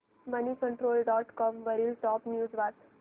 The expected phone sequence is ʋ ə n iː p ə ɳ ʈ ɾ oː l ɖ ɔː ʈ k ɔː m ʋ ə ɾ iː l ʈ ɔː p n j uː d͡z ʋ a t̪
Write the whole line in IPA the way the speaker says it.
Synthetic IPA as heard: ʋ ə n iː k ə ɳ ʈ ɾ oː l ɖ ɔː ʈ k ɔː m ʋ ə ɾ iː l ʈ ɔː p n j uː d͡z ʋ a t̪